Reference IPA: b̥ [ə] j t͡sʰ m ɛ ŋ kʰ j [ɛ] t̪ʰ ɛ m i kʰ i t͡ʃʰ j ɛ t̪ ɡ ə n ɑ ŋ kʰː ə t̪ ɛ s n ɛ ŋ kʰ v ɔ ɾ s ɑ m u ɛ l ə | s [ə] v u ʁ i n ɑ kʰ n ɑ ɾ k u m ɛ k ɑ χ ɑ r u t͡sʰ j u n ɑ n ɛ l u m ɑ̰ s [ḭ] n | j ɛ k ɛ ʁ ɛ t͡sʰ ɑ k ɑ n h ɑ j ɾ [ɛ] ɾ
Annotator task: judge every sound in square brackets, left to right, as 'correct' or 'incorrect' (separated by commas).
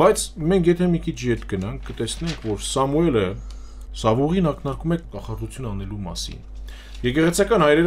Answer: incorrect, correct, incorrect, correct, correct